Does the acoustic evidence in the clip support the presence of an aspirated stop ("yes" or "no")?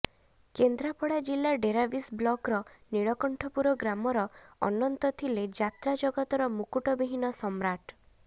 yes